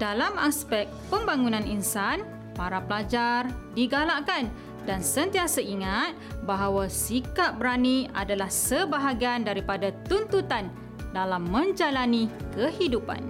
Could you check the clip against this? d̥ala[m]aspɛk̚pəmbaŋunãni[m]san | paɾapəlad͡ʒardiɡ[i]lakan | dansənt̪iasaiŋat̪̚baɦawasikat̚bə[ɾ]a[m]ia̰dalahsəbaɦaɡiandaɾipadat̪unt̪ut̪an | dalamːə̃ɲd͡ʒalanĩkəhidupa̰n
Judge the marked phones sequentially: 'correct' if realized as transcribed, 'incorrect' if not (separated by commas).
correct, incorrect, incorrect, correct, incorrect